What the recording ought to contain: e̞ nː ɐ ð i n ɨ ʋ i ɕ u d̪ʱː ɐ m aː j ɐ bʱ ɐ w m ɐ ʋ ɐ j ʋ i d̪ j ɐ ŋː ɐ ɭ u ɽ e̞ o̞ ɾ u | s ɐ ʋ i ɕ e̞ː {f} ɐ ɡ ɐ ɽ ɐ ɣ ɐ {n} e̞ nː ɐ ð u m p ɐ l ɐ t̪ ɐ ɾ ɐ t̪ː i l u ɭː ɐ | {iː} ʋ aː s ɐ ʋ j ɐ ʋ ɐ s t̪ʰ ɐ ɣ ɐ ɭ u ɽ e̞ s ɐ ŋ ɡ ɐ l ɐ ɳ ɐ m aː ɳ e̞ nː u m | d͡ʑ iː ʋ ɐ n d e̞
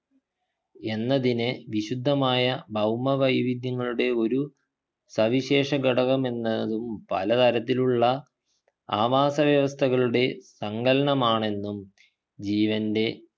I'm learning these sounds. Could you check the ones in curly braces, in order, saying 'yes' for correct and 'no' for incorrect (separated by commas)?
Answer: no, no, no